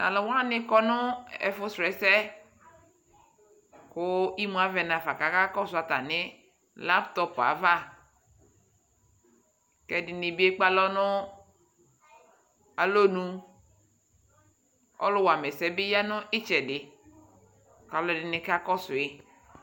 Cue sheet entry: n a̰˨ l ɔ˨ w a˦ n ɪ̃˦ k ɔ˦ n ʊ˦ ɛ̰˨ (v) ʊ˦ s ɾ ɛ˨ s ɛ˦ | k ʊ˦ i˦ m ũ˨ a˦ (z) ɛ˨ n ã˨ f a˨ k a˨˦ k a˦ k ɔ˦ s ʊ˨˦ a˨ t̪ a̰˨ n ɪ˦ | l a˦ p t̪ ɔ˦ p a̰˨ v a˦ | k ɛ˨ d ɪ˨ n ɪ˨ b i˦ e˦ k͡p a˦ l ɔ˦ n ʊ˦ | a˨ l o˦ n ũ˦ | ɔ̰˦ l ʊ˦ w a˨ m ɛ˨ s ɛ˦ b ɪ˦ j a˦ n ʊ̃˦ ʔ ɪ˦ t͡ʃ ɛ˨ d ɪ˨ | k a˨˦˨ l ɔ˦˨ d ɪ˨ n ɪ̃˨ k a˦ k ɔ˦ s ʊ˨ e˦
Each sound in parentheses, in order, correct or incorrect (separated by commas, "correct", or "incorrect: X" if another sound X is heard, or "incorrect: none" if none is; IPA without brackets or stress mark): incorrect: f, incorrect: v